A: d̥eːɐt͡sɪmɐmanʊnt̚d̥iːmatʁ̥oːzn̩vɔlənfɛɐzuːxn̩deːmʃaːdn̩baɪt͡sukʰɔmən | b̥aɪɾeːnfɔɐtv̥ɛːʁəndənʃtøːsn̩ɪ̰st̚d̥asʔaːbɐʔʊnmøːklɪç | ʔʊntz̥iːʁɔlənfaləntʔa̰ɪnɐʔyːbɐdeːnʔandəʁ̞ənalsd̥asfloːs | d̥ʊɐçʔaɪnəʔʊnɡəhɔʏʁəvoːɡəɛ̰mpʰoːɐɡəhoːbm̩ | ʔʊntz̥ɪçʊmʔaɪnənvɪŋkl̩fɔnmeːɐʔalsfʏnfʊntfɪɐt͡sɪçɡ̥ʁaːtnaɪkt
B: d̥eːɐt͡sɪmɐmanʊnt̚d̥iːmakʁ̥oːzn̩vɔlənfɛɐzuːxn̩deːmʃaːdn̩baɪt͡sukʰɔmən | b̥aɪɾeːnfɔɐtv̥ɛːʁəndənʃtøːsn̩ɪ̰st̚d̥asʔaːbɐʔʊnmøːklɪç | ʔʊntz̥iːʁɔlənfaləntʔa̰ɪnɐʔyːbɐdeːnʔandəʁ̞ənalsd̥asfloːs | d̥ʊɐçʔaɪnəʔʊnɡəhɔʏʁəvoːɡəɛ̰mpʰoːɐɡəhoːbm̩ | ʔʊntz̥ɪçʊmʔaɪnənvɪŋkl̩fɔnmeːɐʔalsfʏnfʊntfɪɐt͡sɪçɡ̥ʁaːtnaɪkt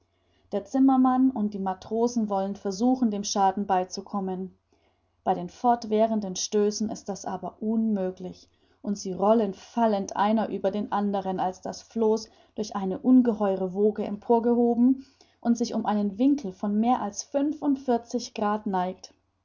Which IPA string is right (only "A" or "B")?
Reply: A